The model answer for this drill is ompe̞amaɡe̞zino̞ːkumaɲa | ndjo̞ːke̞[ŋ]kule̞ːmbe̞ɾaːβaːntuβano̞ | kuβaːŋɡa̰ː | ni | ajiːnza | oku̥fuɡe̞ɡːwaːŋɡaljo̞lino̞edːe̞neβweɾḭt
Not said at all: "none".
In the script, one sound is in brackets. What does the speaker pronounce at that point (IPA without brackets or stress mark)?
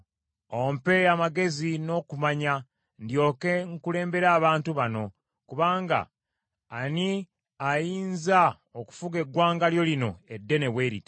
ŋ